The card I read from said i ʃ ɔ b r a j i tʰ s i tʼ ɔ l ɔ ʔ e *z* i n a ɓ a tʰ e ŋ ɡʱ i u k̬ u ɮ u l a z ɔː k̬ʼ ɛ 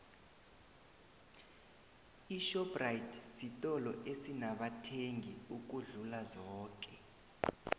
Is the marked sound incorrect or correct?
incorrect